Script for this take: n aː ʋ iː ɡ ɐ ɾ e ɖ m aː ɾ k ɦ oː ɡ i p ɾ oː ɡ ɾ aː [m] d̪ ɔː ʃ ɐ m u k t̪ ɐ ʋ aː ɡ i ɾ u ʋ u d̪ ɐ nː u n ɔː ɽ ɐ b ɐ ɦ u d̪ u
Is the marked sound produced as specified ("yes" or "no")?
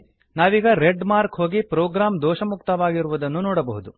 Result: yes